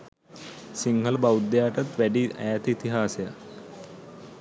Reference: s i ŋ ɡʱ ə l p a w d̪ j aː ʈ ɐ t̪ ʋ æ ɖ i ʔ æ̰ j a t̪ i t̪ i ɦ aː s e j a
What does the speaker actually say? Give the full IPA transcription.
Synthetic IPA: s i ŋ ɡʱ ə l b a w d̪ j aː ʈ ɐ t̪ ʋ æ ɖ i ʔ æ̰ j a t̪ i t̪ i ɦ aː s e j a